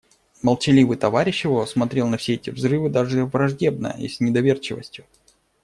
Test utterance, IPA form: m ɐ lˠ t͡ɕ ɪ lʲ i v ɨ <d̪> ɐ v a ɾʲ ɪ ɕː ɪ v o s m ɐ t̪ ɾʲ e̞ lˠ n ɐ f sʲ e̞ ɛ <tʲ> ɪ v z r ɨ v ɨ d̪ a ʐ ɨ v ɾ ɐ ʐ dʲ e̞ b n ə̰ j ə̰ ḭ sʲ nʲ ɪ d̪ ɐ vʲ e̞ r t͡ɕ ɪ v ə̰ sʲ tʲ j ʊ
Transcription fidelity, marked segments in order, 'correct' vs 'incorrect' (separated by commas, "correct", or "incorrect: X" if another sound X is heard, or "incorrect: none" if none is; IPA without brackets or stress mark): incorrect: t̪, correct